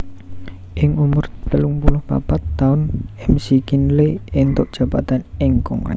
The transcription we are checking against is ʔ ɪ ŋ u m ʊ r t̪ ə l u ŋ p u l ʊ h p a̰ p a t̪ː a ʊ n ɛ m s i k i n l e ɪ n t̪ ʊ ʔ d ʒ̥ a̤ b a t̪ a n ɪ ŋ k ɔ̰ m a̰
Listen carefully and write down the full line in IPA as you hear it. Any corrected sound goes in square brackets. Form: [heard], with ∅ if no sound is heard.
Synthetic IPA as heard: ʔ ɪ ŋ u m ʊ r t̪ ə l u ŋ p u l ʊ h p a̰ p a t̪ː a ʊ n ɛ m s i k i n l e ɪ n t̪ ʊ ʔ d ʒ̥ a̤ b a t̪ a n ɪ ŋ k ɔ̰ [ŋ] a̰